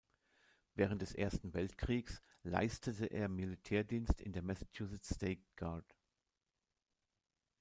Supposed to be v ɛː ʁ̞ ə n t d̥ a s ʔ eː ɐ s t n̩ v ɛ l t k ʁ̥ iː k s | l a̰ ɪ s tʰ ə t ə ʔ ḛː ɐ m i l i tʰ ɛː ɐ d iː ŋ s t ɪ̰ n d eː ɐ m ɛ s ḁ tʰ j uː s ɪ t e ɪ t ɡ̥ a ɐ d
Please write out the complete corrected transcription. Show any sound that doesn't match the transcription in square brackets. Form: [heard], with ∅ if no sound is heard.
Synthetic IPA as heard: v ɛː ʁ̞ ə n t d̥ [ɛ] s ʔ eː ɐ s t n̩ v ɛ l t k ʁ̥ iː k s | l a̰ ɪ s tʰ ə t ə ʔ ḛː ɐ m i l i tʰ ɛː ɐ d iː [n] s t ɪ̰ n d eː ɐ m ɛ s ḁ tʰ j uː s ɪ t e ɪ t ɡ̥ a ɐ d